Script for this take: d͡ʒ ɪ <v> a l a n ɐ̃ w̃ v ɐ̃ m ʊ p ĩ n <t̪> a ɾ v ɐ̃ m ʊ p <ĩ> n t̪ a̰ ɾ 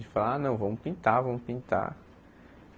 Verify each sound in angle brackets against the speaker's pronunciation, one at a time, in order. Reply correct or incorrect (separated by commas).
incorrect, correct, correct